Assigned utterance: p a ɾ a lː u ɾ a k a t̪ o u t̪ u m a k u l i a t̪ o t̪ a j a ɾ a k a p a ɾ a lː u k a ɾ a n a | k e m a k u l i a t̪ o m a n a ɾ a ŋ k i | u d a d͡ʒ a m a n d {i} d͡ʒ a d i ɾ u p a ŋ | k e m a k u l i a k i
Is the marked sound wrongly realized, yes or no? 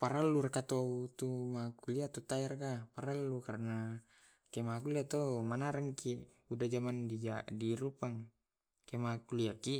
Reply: no